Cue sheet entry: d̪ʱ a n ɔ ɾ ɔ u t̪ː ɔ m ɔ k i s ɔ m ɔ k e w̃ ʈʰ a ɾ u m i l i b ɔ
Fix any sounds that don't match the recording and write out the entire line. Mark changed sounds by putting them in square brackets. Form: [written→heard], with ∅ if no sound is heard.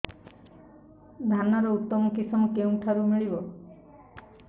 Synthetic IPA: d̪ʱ a n ɔ ɾ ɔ u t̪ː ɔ m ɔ k i s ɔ m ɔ k e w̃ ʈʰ a ɾ u m i [l→ɭ] i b ɔ